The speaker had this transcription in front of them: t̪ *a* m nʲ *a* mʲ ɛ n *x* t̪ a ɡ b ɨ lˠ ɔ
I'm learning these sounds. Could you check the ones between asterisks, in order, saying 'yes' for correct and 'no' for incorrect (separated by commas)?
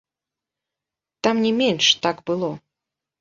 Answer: yes, no, no